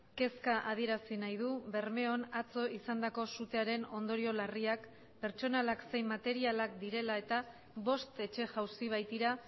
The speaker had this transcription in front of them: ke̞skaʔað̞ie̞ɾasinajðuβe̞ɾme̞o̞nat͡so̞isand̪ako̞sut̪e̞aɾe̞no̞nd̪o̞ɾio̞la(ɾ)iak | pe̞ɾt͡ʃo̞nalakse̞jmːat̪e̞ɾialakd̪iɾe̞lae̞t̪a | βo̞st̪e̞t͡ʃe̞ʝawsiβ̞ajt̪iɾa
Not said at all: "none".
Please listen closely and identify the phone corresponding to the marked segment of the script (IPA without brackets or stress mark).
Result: r